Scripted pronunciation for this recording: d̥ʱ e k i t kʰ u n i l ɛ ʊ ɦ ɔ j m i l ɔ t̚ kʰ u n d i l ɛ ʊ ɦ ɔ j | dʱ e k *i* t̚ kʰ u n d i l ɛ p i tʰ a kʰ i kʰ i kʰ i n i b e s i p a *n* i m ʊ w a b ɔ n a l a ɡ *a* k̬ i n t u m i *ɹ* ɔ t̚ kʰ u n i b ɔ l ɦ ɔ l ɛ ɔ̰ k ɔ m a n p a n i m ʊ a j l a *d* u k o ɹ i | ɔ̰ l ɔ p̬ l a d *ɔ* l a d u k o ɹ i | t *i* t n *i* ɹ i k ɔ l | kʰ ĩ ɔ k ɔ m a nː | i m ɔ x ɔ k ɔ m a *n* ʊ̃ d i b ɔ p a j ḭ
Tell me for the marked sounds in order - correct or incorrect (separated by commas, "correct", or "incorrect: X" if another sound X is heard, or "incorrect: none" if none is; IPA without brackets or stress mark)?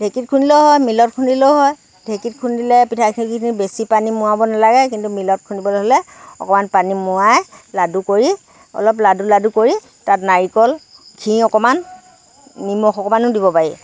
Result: correct, correct, incorrect: ɛ, incorrect: l, correct, incorrect: u, incorrect: a, incorrect: a, correct